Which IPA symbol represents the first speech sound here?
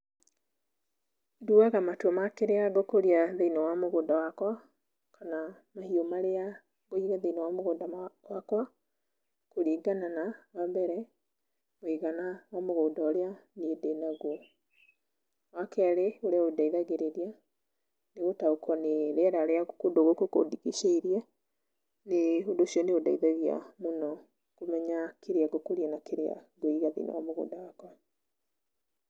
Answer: d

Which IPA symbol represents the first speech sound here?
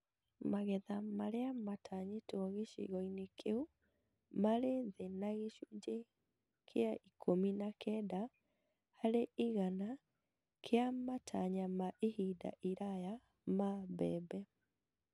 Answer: m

